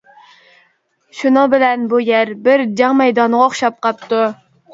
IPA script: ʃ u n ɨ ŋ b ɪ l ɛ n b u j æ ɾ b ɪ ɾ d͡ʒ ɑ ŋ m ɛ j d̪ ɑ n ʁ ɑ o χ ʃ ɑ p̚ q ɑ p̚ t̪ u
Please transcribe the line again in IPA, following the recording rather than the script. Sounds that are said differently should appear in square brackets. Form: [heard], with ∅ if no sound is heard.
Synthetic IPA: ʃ u n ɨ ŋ b ɪ l ɛ n b u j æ ɾ b ɪ ɾ d͡ʒ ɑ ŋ m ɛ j d̪ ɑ n ʁ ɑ o χ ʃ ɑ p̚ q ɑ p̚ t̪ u